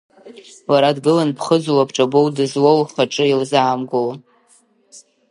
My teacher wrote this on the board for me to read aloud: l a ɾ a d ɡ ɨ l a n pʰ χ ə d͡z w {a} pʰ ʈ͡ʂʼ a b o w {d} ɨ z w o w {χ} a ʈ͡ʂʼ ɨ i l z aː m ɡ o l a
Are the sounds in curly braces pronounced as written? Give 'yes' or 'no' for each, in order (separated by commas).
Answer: yes, yes, yes